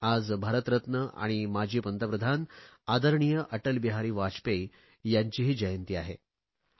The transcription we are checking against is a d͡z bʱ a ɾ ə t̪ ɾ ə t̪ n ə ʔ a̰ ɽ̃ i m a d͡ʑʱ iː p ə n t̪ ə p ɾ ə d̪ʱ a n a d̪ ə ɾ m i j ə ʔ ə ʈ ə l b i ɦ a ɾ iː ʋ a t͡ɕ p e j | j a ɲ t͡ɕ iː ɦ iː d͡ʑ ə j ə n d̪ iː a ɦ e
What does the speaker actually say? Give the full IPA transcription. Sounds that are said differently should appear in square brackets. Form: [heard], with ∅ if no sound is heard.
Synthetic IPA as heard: a d͡z bʱ a ɾ ə t̪ ɾ ə t̪ n ə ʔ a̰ ɽ̃ i m a d͡ʑʱ iː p ə n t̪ ə p ɾ ə d̪ʱ a n a d̪ ə ɾ [ɳ] i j ə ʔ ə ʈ ə l b i ɦ a ɾ iː ʋ a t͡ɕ p e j | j a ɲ t͡ɕ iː ɦ iː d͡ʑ ə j ə n [t̪] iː a ɦ e